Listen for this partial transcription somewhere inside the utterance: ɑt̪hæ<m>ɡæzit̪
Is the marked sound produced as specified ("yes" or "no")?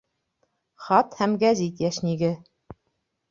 yes